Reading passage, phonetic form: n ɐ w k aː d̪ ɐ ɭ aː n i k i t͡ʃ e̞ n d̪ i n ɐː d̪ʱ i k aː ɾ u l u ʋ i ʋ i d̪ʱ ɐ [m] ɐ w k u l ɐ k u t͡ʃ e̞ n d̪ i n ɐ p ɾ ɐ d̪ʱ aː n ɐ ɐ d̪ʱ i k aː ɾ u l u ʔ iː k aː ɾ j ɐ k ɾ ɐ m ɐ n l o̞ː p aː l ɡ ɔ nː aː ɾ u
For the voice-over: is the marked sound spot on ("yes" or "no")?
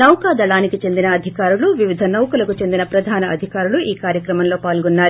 no